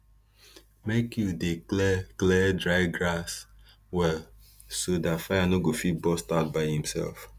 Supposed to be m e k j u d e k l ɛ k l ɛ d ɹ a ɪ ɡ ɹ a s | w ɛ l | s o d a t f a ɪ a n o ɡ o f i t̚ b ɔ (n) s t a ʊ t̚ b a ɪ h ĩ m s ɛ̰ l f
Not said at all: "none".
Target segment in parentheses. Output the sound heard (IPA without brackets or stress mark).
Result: none